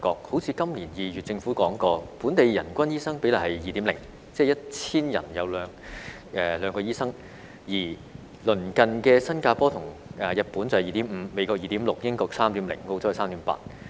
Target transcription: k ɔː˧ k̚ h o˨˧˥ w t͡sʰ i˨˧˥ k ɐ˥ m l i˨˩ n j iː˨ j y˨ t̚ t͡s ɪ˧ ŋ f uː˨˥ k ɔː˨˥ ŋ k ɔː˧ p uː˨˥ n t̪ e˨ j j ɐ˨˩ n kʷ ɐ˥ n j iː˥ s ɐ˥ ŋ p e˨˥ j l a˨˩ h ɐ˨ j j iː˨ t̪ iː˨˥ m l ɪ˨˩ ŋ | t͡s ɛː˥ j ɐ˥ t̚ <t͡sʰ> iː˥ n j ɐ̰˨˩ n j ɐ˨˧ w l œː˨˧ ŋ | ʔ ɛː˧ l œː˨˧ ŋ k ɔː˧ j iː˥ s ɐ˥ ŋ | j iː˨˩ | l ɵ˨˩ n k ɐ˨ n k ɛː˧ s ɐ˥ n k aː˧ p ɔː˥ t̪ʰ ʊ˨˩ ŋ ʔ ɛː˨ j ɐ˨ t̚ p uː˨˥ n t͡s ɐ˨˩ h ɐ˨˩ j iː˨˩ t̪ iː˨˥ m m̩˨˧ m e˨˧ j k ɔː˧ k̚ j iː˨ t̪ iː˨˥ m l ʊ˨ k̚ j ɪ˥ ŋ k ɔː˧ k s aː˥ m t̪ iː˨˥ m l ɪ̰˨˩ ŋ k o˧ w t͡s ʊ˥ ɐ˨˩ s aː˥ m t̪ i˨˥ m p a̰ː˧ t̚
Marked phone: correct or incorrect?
correct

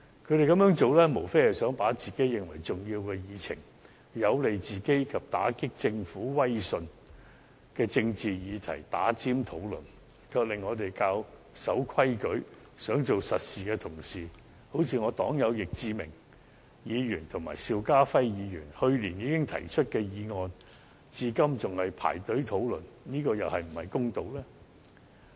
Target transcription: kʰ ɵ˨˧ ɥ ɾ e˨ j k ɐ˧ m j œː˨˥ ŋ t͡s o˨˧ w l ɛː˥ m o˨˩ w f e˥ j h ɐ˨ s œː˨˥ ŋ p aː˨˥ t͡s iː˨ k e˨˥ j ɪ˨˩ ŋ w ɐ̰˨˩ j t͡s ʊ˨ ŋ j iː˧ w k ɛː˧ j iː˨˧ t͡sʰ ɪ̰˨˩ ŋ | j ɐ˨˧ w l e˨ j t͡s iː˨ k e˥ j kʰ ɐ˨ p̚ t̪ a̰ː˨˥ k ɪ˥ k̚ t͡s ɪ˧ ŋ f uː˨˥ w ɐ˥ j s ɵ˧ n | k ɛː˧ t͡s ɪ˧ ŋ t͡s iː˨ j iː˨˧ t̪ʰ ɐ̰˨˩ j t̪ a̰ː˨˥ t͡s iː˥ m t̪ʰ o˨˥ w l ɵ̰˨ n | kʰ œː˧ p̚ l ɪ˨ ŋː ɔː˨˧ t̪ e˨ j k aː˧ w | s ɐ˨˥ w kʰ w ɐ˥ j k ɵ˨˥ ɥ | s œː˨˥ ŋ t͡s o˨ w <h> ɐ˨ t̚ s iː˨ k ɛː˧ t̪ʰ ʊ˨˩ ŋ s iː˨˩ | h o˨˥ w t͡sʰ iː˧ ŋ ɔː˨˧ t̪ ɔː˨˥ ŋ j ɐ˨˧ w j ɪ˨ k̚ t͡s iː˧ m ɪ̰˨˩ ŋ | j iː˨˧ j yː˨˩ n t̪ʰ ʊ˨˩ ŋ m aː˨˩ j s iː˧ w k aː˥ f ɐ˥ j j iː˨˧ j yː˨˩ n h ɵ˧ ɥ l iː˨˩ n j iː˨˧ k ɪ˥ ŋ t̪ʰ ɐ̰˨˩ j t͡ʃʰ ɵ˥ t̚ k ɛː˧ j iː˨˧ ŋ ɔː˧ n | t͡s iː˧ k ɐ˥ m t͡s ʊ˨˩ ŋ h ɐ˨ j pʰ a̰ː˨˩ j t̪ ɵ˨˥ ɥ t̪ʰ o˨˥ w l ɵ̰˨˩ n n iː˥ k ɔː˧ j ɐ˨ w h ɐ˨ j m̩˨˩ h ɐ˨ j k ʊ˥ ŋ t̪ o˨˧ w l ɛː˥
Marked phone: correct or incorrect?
incorrect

